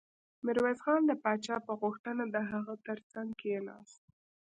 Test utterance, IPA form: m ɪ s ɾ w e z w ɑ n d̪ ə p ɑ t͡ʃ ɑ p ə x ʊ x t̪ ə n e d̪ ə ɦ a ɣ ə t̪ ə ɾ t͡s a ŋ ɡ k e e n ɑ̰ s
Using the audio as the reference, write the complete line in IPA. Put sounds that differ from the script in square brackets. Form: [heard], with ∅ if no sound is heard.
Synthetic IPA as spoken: m ɪ [∅] ɾ w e z [ɣ] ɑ n d̪ ə p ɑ t͡ʃ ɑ p ə [ɣ] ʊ x t̪ ə n [a] d̪ ə ɦ a ɣ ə t̪ ə ɾ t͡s a ŋ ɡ k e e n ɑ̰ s